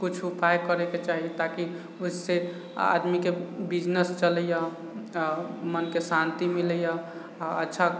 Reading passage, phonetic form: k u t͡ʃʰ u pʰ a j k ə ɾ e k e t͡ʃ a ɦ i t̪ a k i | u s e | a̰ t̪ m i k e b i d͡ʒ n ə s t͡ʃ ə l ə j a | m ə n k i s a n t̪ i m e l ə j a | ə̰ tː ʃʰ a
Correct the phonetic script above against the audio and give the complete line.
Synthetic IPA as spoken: k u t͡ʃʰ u pʰ a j k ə ɾ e k e t͡ʃ a ɦ i t̪ a k i | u s e | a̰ d̪ m i k e b i d͡ʒ n ə s t͡ʃ ə l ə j a | m ə n k e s a n t̪ i m i l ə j a | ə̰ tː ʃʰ a